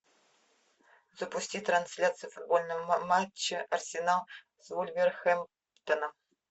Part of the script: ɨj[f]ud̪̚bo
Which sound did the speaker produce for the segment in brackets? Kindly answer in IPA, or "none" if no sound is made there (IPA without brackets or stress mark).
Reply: f